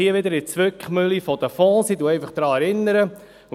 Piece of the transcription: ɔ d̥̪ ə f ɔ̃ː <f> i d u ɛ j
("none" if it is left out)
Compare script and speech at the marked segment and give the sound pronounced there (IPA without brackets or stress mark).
s